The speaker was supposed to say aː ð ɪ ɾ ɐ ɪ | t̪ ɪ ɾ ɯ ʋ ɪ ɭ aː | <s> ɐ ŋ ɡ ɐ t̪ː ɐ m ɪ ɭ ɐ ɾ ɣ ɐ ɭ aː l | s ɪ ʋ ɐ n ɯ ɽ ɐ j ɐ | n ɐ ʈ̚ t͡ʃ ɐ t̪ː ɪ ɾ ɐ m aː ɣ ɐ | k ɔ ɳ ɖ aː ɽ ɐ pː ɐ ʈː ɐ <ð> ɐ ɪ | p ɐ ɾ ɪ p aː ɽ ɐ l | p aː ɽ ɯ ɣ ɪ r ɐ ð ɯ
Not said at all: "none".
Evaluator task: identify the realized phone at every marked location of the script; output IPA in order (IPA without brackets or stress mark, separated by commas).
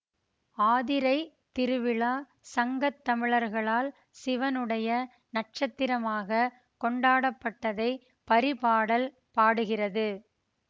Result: s, ð